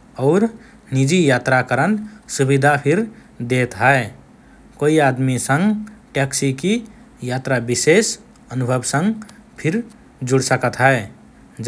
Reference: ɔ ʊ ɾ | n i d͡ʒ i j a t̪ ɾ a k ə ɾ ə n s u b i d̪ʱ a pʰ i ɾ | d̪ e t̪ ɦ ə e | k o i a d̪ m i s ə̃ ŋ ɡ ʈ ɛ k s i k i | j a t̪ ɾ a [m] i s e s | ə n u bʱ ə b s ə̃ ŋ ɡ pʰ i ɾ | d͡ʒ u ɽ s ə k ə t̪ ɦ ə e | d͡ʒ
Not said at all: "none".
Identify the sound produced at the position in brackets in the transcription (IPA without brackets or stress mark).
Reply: b